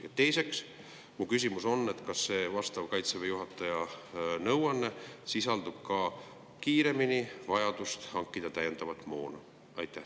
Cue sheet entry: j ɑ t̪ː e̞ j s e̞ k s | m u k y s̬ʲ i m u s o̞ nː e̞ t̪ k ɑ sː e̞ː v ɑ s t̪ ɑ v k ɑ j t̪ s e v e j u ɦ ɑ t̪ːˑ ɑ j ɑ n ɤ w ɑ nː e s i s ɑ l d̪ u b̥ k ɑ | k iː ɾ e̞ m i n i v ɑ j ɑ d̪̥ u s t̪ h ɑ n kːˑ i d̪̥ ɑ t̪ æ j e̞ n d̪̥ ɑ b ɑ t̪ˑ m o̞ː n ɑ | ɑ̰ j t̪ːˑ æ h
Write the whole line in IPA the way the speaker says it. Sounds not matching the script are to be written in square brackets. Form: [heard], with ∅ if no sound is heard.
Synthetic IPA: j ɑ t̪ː e̞ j s e̞ k s | m u k y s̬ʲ i m u s o̞ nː e̞ t̪ k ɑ sː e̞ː v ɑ s t̪ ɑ v k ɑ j t̪ s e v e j u ɦ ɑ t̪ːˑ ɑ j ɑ n ɤ w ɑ nː e s i s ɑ l d̪ u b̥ k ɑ | k iː ɾ e̞ m i n i v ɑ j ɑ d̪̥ u s t̪ h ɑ [ŋ] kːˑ i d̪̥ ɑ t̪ æ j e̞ n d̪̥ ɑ [v] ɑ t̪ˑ m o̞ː n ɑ | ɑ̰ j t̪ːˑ æ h

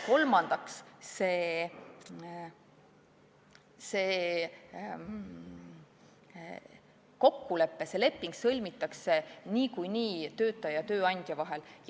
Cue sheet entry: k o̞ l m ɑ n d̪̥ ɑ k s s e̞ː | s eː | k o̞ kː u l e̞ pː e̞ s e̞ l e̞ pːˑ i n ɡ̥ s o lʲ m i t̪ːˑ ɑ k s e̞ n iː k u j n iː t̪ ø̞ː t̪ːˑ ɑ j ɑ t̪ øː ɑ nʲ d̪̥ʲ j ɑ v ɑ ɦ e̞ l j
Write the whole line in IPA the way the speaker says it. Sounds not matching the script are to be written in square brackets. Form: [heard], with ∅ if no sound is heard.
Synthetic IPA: k o̞ l m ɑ n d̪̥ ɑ k s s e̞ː | s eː | k o̞ kː u l e̞ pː e̞ s e̞ l e̞ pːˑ i [ŋ] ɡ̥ s [ɤ] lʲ m i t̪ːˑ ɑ k s e̞ n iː k u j n iː t̪ ø̞ː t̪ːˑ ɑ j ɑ t̪ øː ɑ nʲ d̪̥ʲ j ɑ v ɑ ɦ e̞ l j

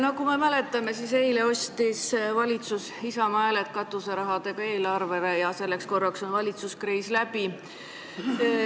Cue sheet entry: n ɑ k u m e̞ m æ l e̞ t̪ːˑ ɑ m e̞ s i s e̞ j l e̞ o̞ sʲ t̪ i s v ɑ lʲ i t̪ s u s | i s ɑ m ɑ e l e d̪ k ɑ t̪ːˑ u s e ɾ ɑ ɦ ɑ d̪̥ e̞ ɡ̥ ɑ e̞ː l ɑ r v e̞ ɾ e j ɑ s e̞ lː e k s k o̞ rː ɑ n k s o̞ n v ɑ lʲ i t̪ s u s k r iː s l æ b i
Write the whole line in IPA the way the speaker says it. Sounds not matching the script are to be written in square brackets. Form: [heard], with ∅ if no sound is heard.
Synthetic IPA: n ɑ k u m e̞ m æ l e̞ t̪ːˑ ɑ m e̞ s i s e̞ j l e̞ o̞ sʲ t̪ i s v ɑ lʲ i t̪ s u s | i s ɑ m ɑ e l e [t̪] k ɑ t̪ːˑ u s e ɾ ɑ ɦ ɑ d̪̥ e̞ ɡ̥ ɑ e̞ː l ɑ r v e̞ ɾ e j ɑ s e̞ lː e k s k o̞ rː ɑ [∅] k s o̞ n v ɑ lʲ i t̪ s u s k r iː s l æ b i

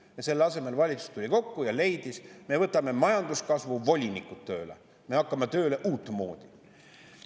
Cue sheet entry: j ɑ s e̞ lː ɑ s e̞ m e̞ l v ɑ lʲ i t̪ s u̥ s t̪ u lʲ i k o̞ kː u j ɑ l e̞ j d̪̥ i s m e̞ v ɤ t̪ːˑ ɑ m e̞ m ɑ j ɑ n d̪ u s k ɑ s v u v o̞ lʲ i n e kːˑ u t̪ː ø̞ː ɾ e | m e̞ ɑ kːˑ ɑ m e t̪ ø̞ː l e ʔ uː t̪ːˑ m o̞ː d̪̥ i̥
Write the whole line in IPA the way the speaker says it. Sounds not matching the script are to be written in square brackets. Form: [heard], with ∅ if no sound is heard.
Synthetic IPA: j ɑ s e̞ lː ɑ s e̞ m e̞ l v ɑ lʲ i t̪ s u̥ s t̪ u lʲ i k o̞ kː u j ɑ l e̞ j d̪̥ i s m e̞ v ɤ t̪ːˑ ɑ m e̞ m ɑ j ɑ n d̪ u s k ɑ s v u v o̞ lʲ i n [i] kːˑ u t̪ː ø̞ː [l] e | m e̞ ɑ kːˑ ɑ m e t̪ ø̞ː l e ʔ uː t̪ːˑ m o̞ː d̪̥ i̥

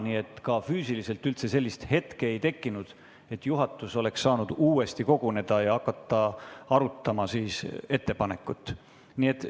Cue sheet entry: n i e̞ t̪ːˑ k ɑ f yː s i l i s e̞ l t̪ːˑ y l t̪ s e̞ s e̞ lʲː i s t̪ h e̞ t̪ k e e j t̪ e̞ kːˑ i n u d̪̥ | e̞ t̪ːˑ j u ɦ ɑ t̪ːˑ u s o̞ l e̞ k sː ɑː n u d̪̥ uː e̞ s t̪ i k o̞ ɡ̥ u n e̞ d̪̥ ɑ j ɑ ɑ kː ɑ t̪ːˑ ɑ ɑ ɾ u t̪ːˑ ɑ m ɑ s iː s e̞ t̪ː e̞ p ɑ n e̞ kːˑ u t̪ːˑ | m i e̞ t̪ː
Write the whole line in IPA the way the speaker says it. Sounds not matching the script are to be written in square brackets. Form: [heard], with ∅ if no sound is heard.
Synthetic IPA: n i e̞ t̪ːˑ k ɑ f yː s i l i s e̞ l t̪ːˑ y l t̪ s e̞ s e̞ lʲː i s t̪ h e̞ t̪ k e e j t̪ e̞ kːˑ i n u d̪̥ | e̞ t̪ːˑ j u ɦ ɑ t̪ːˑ u s o̞ l e̞ k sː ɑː n u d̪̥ uː e̞ s t̪ i k o̞ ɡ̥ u n e̞ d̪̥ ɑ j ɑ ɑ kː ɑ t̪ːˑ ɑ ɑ ɾ u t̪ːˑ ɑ m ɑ s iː s e̞ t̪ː e̞ p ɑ n e̞ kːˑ u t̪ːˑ | [n] i e̞ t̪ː

